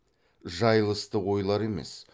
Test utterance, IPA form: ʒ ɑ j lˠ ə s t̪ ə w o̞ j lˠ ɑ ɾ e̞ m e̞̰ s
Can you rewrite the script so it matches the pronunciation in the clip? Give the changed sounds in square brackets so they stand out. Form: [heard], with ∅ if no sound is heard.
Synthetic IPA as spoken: ʒ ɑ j lˠ ə s t̪ ə w o̞ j lˠ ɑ ɾ e̞ m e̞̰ s